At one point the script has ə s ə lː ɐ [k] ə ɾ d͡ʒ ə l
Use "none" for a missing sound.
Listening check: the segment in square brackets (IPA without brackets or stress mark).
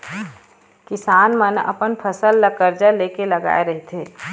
k